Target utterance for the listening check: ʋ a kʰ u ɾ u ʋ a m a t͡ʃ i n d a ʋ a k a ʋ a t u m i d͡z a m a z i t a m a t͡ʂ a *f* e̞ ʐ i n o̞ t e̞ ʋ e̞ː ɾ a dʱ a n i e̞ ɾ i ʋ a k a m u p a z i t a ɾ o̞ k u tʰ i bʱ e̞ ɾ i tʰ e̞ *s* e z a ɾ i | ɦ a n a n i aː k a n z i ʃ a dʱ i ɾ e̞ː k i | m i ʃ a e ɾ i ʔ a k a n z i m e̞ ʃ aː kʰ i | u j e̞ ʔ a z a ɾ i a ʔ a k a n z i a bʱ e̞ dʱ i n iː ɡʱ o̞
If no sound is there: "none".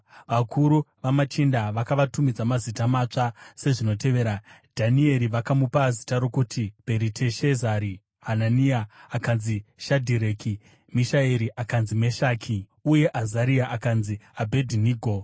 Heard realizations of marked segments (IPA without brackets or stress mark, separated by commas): s, ʃ